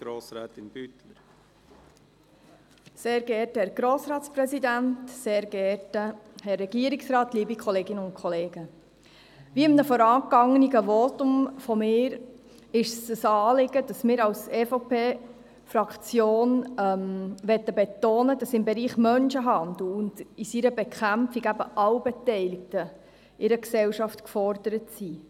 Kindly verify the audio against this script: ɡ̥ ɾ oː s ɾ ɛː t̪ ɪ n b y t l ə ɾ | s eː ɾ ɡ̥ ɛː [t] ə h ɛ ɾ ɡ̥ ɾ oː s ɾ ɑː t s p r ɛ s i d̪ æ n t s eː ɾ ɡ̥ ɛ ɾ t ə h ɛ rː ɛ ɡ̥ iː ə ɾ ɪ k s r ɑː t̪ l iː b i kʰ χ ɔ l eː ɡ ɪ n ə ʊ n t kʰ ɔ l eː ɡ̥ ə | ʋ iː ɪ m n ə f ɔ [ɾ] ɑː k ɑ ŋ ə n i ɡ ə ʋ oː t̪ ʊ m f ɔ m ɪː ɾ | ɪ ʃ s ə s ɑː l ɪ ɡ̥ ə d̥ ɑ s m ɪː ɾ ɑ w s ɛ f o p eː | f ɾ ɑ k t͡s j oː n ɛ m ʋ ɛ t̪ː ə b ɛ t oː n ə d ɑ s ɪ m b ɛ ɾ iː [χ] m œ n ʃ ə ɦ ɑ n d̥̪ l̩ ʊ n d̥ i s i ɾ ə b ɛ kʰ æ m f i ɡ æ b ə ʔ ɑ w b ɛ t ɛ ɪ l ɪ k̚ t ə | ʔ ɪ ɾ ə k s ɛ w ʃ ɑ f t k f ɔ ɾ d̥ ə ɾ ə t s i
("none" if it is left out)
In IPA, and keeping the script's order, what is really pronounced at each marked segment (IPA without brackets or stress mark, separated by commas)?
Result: t, ɾ, χ